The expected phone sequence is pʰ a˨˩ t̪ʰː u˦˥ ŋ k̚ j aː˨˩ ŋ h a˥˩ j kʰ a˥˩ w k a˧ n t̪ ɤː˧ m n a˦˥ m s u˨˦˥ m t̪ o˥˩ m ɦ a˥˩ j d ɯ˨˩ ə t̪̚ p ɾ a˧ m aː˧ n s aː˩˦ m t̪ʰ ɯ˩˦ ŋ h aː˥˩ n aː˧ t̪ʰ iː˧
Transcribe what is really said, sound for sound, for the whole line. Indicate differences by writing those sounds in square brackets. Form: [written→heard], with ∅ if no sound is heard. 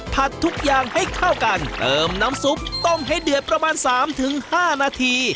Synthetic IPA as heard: pʰ a˨˩ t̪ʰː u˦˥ [ŋ→∅] k̚ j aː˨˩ ŋ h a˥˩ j kʰ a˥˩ w k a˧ n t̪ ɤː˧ m n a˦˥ m s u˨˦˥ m t̪ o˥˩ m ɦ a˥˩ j d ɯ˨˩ ə t̪̚ p ɾ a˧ m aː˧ n s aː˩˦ m t̪ʰ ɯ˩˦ ŋ h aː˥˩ n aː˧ t̪ʰ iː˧